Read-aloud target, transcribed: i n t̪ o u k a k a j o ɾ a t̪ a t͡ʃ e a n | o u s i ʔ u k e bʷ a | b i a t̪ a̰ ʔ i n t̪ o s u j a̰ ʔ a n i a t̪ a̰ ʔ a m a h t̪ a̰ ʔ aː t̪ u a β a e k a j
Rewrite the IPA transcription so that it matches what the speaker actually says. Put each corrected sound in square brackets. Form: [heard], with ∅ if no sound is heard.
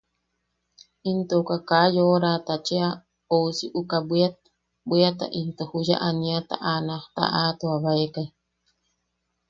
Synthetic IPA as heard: i n t̪ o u k a k a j o ɾ a t̪ a t͡ʃ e a [∅] | o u s i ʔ u k [a] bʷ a | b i a t̪ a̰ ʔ i n t̪ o [h] u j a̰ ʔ a n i a t̪ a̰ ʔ a [n] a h t̪ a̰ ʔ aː t̪ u a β a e k a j